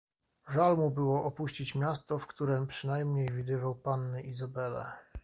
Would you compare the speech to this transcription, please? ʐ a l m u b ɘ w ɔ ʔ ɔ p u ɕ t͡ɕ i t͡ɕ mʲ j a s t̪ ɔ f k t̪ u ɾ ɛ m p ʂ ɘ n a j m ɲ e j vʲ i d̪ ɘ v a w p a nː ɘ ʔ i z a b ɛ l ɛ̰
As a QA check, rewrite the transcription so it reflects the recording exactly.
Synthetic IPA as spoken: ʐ a l m u b ɘ w ɔ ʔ ɔ p u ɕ t͡ɕ i t͡ɕ mʲ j a s t̪ ɔ f k t̪ u ɾ ɛ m p ʂ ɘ n a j m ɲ e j vʲ i d̪ ɘ v a w p a nː ɘ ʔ i z a b ɛ l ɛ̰